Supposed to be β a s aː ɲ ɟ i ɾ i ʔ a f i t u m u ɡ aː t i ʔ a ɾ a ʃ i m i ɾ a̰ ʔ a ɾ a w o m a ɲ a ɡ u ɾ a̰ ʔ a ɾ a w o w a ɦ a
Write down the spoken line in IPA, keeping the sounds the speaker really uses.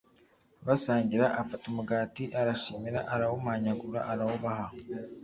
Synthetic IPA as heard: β a s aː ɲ ɟ i ɾ a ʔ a f a t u m u ɡ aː t i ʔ a ɾ a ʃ i m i ɾ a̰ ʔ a ɾ a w o m a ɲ a ɡ u ɾ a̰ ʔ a ɾ a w o β a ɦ a